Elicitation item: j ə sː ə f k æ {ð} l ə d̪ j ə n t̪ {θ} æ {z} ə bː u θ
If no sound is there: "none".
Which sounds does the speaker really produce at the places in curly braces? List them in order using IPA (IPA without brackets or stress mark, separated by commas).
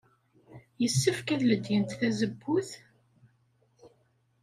ð, θ, z